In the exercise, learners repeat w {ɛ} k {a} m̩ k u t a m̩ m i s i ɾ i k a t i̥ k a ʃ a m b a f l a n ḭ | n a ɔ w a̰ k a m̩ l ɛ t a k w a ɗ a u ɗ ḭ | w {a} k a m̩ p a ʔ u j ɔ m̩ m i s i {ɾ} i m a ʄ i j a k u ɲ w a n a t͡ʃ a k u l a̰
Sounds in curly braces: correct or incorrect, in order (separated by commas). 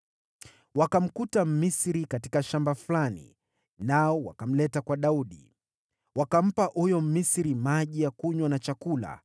incorrect, correct, correct, correct